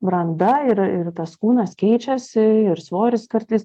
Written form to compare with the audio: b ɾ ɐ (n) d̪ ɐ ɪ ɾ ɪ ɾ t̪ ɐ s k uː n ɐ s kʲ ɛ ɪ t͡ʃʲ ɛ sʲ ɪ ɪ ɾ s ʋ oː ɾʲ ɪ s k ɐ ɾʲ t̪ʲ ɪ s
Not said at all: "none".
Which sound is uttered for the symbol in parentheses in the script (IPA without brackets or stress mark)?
n